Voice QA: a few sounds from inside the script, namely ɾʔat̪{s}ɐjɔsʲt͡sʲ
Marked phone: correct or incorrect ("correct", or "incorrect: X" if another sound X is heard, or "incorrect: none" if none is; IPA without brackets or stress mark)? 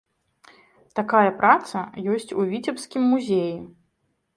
correct